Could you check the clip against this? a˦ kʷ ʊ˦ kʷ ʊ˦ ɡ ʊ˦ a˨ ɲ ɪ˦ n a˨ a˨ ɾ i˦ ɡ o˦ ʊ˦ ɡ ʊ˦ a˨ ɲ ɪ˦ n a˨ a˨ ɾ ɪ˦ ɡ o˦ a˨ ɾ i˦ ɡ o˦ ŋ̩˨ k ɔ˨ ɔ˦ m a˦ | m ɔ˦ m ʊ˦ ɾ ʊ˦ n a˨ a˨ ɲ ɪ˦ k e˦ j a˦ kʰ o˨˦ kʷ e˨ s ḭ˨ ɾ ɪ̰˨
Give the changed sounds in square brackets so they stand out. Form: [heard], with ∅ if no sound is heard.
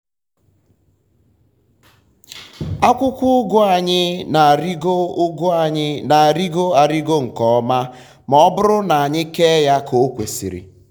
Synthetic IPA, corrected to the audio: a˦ kʷ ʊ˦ kʷ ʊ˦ ɡ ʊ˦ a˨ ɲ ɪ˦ n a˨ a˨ ɾ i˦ ɡ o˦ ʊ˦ ɡ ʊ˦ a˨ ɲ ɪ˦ n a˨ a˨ ɾ [i˦] ɡ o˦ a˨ ɾ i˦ ɡ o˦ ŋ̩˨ k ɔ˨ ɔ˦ m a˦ | m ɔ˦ [b] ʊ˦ ɾ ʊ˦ n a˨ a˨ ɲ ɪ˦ k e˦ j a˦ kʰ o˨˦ kʷ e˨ s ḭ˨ ɾ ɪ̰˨